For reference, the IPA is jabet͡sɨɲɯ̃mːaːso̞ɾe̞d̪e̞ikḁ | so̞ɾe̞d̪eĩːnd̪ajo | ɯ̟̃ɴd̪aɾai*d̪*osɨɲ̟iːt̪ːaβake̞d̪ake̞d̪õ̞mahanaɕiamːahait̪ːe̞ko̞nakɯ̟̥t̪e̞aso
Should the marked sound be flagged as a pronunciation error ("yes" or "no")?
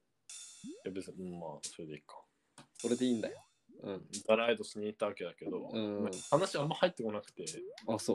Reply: no